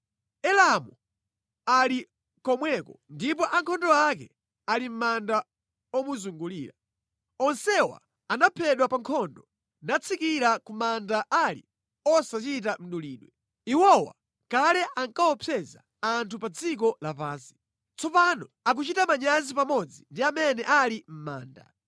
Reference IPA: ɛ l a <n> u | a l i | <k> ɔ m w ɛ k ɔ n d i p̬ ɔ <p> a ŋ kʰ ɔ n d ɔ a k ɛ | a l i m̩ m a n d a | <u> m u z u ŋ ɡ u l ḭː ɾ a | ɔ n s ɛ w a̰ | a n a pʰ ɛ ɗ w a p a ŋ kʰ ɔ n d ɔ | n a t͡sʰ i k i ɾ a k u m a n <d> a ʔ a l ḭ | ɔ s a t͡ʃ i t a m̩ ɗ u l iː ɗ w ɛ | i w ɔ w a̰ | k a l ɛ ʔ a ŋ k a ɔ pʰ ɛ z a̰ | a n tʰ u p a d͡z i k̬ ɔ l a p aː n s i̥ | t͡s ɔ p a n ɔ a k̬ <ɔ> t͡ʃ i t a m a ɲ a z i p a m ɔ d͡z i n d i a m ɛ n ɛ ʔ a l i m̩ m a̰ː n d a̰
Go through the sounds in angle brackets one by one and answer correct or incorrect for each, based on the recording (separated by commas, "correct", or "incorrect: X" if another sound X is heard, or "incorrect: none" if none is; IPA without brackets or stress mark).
incorrect: m, correct, incorrect: ʔ, incorrect: ɔ, correct, incorrect: u